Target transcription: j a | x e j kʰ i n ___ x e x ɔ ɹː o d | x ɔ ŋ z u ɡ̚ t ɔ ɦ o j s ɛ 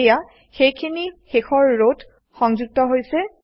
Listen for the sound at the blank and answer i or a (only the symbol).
i